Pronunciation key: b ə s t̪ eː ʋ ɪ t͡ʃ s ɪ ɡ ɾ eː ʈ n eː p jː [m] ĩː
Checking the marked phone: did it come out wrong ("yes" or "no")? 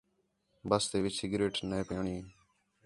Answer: yes